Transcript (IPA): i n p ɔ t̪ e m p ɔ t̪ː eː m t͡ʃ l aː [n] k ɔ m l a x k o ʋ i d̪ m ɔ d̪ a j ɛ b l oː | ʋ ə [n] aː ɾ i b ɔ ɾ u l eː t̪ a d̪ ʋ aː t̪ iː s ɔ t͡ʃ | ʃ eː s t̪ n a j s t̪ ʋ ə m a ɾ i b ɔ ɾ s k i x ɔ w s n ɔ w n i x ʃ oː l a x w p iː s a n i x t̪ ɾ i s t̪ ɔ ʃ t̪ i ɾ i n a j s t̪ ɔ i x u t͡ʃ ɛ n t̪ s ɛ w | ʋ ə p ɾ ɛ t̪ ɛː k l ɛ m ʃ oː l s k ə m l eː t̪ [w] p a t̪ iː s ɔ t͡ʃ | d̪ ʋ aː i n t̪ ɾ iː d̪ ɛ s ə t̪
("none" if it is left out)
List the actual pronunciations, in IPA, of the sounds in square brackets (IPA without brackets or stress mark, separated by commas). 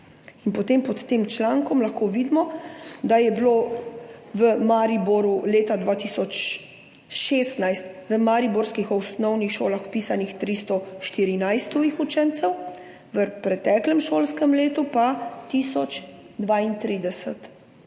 ŋ, m, u